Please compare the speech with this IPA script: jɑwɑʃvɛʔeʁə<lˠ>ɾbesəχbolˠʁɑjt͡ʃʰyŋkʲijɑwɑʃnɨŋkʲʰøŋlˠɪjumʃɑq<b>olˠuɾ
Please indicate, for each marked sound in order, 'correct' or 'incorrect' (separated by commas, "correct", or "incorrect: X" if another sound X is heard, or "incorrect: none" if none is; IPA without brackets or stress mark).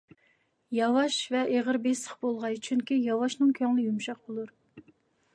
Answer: incorrect: none, correct